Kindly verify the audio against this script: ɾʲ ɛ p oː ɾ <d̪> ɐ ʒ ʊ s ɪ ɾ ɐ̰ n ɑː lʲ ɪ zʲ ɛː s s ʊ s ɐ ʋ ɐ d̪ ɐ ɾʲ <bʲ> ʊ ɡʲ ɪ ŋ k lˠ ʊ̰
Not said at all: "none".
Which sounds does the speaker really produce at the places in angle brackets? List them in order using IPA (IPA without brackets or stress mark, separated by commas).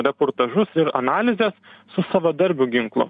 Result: t̪, bʲ